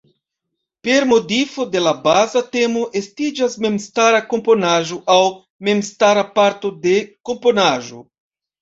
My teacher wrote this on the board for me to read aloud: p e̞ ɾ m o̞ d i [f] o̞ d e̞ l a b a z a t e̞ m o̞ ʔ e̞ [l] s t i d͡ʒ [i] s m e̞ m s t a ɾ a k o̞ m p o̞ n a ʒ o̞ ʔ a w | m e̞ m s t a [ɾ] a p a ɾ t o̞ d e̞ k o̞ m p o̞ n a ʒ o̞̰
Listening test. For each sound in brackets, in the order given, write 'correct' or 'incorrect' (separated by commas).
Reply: correct, incorrect, incorrect, correct